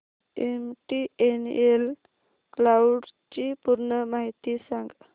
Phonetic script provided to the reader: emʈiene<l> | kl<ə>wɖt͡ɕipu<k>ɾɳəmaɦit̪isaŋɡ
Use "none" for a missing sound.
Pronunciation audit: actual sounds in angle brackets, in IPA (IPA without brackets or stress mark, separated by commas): l, a, none